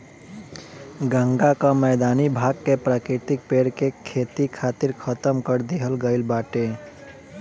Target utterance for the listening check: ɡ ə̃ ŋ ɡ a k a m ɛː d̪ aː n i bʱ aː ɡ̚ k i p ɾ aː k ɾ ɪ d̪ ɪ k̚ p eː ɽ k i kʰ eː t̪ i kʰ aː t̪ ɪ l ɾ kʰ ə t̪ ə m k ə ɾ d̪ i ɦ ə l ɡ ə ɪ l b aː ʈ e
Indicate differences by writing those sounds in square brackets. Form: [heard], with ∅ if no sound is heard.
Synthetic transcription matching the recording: ɡ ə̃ ŋ ɡ a k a m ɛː d̪ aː n i bʱ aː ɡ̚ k [e] p ɾ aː k ɾ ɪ [t̪] ɪ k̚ p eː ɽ k [e] kʰ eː t̪ i kʰ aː t̪ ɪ [∅] ɾ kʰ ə t̪ ə m k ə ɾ d̪ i ɦ ə l ɡ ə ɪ l b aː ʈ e